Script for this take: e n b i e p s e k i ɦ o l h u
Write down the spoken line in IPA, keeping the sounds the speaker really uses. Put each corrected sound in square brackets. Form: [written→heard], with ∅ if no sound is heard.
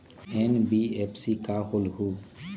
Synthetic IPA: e n b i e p s [e→i] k [i→a] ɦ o l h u